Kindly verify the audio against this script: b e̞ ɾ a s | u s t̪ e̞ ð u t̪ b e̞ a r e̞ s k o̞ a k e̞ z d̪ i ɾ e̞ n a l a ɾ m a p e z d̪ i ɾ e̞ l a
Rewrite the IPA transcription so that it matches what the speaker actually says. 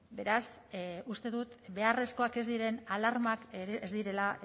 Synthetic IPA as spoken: b e̞ ɾ a s | u s t̪ e̞ ð u t̪ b e̞ a r e̞ s k o̞ a k e̞ z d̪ i ɾ e̞ n a l a ɾ m a k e z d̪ i ɾ e̞ l a